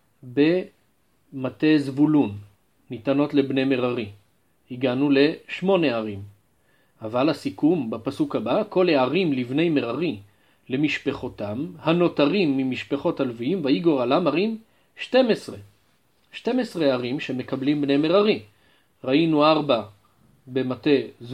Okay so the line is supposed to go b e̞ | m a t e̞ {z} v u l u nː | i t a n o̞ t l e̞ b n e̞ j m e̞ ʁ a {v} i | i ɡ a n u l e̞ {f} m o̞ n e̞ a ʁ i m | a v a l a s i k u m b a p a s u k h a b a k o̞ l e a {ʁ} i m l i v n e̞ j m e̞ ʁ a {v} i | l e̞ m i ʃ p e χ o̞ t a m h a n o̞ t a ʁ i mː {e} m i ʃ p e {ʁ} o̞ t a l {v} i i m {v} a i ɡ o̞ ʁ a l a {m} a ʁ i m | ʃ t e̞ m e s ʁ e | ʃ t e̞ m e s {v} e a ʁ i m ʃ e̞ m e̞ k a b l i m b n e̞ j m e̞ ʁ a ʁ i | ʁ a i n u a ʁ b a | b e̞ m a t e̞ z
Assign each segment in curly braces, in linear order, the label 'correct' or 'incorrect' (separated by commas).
correct, incorrect, incorrect, correct, incorrect, incorrect, incorrect, correct, correct, correct, incorrect